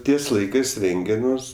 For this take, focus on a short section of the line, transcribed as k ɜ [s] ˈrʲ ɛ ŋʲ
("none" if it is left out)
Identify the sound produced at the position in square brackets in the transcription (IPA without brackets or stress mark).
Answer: s